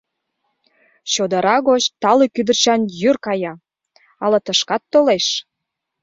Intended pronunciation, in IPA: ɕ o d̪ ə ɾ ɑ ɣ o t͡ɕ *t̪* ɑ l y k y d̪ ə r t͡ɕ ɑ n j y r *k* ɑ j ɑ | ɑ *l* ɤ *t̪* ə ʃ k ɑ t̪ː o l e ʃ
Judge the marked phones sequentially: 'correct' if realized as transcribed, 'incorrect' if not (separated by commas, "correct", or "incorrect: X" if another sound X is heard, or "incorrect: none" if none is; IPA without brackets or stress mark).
correct, correct, correct, correct